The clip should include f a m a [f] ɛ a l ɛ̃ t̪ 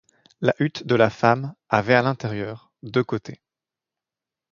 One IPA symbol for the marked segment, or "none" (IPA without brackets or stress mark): v